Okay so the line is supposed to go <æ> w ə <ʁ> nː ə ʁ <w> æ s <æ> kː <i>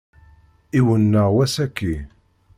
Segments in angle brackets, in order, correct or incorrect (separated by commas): incorrect, incorrect, correct, correct, correct